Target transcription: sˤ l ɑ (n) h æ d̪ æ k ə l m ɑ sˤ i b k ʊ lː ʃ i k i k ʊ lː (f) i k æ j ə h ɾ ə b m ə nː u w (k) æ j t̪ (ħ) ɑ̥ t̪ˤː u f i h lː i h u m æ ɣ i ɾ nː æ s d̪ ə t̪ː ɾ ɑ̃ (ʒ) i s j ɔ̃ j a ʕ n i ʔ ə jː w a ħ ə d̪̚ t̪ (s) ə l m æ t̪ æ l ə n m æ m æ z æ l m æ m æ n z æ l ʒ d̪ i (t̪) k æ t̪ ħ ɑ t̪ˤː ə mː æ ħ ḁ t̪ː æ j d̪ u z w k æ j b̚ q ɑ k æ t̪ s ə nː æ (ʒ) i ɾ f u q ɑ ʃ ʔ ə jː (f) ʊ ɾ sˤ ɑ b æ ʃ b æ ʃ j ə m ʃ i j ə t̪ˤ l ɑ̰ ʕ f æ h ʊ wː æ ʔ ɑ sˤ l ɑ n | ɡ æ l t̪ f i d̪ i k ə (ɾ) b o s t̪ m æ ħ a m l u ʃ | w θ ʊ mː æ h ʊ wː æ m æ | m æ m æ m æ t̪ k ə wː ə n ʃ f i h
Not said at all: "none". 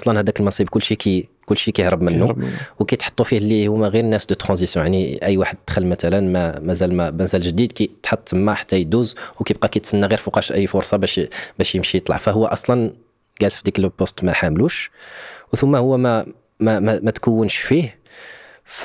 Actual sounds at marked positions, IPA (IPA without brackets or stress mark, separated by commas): n, ʃ, k, ħ, z, x, d̪, ɣ, f, l